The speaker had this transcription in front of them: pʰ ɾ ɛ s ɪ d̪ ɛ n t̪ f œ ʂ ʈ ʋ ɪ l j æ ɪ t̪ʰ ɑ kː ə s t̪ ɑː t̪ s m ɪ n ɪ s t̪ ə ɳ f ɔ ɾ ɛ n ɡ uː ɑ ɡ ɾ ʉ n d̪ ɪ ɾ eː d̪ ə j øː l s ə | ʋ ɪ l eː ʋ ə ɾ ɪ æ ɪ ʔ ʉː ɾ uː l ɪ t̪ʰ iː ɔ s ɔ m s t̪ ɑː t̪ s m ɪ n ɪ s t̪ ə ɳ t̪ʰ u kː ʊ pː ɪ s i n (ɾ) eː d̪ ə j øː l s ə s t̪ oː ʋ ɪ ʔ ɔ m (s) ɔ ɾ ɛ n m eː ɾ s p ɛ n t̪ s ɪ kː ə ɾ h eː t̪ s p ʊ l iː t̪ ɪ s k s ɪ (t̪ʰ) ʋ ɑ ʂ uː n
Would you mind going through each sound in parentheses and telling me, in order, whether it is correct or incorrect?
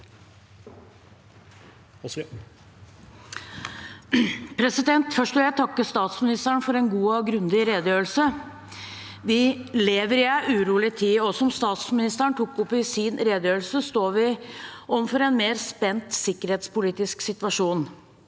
correct, incorrect: f, incorrect: t̪

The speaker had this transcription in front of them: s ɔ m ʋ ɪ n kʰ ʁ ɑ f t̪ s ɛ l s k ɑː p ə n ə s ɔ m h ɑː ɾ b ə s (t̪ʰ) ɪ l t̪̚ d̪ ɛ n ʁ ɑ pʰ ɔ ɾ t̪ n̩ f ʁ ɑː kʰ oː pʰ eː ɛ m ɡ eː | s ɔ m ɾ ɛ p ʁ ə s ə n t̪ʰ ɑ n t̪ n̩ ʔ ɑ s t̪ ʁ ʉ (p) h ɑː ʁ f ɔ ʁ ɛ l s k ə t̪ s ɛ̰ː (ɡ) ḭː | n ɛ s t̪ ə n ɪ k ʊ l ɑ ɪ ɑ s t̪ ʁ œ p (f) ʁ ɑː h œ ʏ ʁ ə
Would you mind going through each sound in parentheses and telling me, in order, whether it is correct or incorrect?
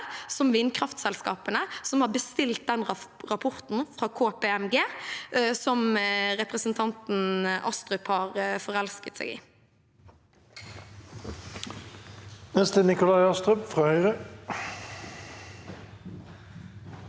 incorrect: t̪, correct, correct, correct

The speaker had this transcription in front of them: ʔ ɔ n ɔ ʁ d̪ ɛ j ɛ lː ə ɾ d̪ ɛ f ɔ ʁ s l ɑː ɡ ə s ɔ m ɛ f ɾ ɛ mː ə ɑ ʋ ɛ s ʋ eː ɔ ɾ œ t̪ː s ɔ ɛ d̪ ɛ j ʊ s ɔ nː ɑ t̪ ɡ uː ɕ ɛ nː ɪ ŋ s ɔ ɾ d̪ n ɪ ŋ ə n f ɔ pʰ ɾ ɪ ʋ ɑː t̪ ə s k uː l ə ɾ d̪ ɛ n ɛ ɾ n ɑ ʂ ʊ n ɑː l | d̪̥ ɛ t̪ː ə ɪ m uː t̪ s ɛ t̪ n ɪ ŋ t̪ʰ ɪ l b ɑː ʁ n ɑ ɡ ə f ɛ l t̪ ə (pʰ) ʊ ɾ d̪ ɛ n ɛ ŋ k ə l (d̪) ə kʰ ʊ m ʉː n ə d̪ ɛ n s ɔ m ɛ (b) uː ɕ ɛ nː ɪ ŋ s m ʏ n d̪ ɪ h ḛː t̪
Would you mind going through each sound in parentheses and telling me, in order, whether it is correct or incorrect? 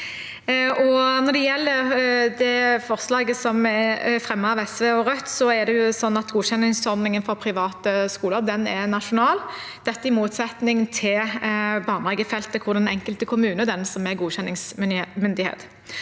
incorrect: kʰ, incorrect: t̪, incorrect: ɡ

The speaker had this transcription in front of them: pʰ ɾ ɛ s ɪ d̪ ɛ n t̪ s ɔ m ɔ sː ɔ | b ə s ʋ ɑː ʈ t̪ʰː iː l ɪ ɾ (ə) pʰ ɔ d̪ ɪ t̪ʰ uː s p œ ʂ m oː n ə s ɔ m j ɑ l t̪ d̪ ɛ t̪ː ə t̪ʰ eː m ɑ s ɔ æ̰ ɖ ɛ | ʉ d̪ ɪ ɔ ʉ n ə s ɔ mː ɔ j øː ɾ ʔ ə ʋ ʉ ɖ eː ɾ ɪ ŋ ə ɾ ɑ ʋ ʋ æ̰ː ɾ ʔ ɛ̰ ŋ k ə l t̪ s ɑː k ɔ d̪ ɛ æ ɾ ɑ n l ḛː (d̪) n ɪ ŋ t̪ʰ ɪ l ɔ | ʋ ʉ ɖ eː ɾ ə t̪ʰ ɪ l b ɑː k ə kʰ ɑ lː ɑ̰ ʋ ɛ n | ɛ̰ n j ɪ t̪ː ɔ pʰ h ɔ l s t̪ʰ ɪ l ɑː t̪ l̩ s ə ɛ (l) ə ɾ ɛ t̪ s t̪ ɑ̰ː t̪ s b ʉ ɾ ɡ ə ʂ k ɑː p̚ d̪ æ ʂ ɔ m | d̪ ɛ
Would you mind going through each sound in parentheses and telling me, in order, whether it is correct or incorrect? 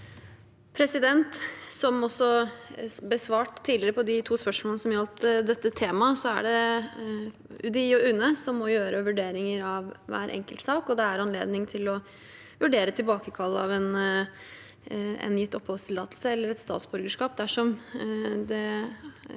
correct, correct, incorrect: lː

